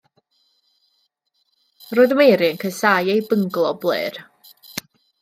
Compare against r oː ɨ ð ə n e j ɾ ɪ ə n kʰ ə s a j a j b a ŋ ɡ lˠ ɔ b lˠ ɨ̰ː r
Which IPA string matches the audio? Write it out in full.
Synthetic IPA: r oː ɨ ð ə m e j ɾ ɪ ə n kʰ ə s a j e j b ə ŋ ɡ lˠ ɔ b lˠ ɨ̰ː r